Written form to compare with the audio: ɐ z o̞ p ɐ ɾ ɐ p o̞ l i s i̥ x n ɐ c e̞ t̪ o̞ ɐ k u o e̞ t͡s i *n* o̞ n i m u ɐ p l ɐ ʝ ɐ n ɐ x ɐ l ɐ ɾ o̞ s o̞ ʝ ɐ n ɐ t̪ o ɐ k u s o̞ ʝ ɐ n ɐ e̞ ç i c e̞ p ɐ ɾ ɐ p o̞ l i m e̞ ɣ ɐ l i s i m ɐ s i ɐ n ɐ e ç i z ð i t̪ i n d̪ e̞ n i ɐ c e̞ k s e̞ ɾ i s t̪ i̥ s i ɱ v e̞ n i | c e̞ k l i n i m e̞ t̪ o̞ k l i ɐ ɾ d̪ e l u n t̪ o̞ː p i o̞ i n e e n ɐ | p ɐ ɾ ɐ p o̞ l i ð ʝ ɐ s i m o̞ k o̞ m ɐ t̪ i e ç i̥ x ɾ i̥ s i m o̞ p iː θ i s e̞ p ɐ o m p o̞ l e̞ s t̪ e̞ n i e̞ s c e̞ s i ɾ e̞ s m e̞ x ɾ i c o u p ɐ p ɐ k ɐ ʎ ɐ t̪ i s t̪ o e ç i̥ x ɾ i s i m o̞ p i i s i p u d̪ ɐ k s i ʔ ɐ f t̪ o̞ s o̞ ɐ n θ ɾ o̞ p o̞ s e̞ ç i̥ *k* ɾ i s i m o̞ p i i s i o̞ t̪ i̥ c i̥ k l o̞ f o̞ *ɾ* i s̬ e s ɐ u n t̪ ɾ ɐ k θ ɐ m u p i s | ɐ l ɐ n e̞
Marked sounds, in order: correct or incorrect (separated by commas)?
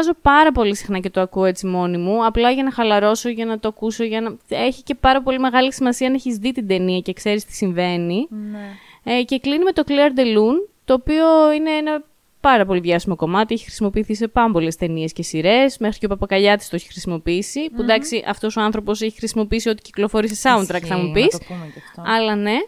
incorrect, incorrect, correct